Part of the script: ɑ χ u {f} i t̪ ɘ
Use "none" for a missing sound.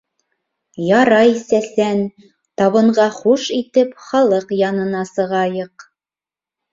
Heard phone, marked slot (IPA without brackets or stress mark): ʃ